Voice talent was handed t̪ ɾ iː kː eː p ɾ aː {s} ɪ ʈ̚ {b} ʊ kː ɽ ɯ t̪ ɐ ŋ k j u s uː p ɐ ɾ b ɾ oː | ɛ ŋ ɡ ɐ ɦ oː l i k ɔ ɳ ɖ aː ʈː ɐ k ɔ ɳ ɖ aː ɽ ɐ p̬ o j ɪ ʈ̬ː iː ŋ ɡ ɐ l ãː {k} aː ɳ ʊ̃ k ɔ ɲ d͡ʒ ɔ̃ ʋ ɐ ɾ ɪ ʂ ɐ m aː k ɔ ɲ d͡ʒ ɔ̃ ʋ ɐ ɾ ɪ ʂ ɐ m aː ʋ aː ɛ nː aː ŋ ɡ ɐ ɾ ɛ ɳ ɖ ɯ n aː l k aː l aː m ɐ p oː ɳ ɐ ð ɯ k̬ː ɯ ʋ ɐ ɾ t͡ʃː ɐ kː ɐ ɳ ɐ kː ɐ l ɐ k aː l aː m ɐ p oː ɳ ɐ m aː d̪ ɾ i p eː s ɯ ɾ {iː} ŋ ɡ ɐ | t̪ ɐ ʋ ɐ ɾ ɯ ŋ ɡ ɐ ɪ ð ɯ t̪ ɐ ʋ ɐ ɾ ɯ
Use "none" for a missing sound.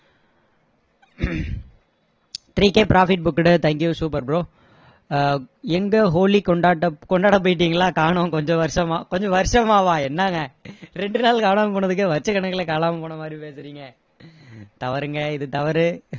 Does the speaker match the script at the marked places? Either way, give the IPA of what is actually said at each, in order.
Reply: f, b, k, iː

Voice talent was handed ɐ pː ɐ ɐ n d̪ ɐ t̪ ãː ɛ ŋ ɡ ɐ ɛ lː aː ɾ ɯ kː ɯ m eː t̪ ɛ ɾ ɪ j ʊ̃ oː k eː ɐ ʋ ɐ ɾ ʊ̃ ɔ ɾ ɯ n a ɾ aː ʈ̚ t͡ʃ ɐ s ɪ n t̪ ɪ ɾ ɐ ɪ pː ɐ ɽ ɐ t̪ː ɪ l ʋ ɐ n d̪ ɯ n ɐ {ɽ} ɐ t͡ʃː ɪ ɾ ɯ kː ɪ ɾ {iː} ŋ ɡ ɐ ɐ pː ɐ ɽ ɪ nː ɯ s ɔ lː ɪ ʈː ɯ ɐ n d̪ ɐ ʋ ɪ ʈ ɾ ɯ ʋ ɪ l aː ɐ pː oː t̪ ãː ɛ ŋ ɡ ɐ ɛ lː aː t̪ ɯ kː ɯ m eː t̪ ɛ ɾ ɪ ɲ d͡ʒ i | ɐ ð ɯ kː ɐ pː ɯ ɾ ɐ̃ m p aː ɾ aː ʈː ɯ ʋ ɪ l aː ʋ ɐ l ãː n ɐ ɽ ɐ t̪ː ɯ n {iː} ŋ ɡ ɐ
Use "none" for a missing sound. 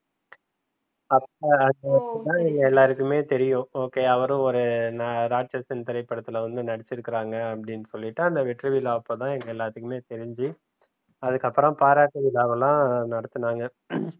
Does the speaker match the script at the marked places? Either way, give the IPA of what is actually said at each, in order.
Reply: ɽ, aː, aː

